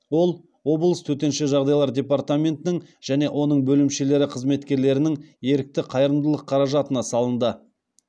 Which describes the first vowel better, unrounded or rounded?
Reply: rounded